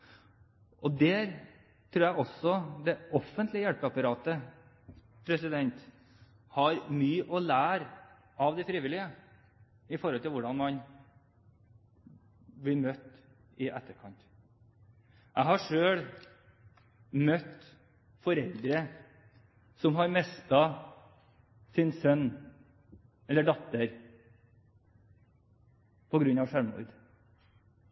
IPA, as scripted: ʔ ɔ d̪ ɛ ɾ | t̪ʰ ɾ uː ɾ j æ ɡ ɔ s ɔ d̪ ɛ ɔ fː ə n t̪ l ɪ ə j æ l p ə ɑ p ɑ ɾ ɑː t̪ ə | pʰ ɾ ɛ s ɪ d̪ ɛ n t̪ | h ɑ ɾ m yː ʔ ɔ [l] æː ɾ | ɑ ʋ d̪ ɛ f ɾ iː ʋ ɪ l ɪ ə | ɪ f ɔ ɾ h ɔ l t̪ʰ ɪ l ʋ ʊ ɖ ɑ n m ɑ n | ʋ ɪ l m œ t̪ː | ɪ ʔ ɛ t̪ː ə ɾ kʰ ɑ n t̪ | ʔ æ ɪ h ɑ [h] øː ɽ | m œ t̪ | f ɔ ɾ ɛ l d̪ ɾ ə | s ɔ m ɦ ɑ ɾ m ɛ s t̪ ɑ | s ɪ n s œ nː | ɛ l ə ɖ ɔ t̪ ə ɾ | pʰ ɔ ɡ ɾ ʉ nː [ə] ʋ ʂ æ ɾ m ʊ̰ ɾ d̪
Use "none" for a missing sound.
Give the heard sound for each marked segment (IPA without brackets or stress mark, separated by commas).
l, ʂ, ɑ